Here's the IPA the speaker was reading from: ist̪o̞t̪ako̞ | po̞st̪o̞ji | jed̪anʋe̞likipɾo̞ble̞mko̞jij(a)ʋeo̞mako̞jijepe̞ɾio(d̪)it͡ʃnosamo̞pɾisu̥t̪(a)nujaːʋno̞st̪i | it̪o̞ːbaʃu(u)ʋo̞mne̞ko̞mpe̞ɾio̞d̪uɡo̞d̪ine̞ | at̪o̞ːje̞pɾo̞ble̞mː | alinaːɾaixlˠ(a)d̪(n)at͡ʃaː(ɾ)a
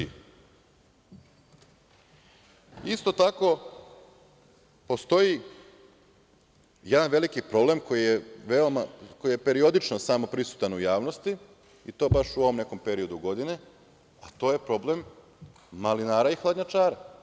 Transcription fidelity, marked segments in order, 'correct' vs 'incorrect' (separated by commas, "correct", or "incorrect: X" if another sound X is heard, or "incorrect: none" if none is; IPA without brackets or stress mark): incorrect: e, correct, correct, incorrect: o, correct, incorrect: ɲ, correct